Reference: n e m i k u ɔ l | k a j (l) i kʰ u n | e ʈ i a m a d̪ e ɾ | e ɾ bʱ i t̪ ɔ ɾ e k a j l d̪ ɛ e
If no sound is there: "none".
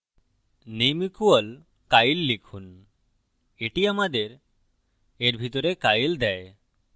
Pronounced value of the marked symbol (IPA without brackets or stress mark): lː